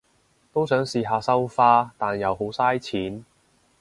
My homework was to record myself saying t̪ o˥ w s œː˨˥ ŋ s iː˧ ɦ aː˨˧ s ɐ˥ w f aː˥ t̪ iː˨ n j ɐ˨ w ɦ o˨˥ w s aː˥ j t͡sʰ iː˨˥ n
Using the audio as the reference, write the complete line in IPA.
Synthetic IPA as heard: t̪ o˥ w s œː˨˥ ŋ s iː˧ ɦ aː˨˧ s ɐ˥ w f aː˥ t̪ aː˨ n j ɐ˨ w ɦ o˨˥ w s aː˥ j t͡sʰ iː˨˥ n

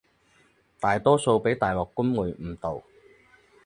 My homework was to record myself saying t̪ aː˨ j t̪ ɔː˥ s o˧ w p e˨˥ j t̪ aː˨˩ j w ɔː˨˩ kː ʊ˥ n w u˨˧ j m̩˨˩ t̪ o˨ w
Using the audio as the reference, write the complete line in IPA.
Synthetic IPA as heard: t̪ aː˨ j t̪ ɔː˥ s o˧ w p e˨˥ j t̪ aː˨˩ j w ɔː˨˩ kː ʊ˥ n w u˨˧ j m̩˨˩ t̪ o˨ w

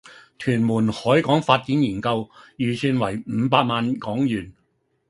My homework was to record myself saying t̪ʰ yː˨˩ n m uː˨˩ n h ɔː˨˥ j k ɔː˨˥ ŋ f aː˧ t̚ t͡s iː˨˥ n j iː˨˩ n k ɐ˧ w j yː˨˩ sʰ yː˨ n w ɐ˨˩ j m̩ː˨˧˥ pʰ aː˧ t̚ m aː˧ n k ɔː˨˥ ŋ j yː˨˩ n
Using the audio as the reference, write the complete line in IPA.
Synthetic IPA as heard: t̪ʰ yː˨˩ n m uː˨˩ n h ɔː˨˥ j k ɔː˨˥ ŋ f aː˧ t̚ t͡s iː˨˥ n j iː˨˩ n k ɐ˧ w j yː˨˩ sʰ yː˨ n w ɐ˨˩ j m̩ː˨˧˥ p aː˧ t̚ m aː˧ n k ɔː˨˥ ŋ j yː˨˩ n

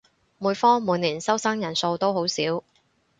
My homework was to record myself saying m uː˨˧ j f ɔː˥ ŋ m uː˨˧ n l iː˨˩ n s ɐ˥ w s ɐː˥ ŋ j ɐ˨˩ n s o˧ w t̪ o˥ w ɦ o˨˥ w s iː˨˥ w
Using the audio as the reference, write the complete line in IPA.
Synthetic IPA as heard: m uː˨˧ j f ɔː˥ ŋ m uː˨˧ n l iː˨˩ n s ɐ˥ w s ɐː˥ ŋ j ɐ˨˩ n s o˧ w t̪ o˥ w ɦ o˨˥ w s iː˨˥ w

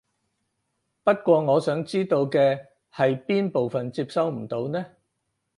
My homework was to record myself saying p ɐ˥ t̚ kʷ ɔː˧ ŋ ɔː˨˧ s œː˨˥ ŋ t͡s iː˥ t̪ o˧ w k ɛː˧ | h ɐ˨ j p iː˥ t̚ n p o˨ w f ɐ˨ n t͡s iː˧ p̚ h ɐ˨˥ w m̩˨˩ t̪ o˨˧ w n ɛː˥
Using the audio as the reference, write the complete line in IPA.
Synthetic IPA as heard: p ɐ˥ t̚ kʷ ɔː˧ ŋ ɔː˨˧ s œː˨˥ ŋ t͡s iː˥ t̪ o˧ w k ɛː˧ | h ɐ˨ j p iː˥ n p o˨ w f ɐ˨ n t͡s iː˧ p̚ s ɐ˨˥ w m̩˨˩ t̪ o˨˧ w n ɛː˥

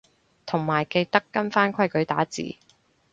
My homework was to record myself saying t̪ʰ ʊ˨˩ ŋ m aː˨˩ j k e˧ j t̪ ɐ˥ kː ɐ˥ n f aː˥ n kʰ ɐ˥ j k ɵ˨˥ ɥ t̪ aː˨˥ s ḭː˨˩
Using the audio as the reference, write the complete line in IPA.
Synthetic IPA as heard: t̪ʰ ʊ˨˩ ŋ m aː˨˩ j k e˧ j t̪ ɐ˥ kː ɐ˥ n f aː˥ n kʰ ɐ˥ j k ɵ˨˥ ɥ t̪ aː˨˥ t͡s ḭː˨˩

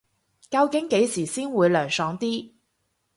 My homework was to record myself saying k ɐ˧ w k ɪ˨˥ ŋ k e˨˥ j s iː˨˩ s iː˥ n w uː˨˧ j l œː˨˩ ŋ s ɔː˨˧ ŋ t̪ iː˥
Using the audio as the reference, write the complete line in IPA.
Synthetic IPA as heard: k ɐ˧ w k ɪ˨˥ ŋ k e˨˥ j s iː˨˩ s iː˥ n w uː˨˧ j l œː˨˩ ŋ s ɔː˨˧ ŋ t̪ iː˥

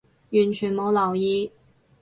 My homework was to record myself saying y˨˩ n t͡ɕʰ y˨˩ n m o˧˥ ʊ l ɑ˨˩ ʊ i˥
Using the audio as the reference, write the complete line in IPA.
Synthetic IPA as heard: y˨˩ n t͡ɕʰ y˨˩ n m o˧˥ ʊ l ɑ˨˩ ʊ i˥

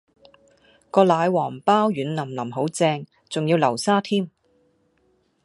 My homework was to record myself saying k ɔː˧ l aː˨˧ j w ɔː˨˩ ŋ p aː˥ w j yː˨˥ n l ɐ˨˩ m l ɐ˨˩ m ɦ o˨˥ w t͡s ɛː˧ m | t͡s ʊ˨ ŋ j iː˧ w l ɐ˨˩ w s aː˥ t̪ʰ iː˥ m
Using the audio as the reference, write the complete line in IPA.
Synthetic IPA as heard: k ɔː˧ l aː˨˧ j w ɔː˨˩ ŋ p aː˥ w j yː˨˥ n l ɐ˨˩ m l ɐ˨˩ m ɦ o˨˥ w t͡s ɛː˧ ŋ | t͡s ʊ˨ ŋ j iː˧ w l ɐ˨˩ w s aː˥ t̪ʰ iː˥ m

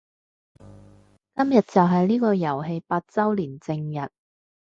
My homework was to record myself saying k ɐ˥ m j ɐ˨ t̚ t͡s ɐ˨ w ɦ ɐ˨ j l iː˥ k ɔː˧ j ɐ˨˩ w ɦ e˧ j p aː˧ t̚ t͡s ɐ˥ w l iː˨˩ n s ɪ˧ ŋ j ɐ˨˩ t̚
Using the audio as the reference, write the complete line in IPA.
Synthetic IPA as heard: k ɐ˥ m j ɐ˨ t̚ t͡s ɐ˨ w ɦ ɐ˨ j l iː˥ k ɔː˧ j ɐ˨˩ w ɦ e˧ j p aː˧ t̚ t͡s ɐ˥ w l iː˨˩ n t͡s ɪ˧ ŋ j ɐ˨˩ t̚

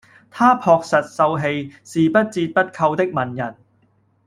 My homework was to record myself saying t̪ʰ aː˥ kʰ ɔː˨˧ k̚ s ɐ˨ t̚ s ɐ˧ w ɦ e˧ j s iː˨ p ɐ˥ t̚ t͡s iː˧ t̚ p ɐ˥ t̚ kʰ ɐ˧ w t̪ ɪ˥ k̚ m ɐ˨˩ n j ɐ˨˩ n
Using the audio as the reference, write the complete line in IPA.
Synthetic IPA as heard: t̪ʰ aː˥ pʰ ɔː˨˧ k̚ s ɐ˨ t̚ s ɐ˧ w ɦ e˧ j s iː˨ p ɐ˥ t̚ t͡s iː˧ t̚ p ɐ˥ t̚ kʰ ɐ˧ w t̪ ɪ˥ k̚ m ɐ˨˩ n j ɐ˨˩ n

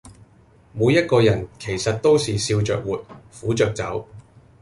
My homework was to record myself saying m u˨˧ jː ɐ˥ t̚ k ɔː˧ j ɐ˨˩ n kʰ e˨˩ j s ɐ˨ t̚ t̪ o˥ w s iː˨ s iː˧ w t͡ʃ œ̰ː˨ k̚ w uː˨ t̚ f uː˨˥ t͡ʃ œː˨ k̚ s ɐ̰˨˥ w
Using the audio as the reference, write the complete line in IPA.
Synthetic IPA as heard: m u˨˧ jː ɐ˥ t̚ k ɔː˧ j ɐ˨˩ n kʰ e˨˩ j s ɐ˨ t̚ t̪ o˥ w s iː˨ s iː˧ w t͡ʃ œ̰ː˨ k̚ w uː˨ t̚ f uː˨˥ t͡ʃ œː˨ k̚ t͡s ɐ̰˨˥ w

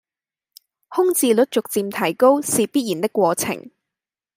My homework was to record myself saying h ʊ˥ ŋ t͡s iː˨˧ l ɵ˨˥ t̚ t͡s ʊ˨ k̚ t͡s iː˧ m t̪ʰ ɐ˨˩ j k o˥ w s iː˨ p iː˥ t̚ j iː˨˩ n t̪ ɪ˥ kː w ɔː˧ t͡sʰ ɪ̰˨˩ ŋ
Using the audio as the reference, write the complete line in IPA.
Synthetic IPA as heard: h ʊ˥ ŋ t͡s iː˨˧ l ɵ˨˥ t̚ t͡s ʊ˨ k̚ t͡s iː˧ m t̪ʰ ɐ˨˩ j k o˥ w s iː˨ p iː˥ t̚ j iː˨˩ n t̪ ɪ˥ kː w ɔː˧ t͡sʰ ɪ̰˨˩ ŋ

